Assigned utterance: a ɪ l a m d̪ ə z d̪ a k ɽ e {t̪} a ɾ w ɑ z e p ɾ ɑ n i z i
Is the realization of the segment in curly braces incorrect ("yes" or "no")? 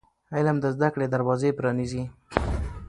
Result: yes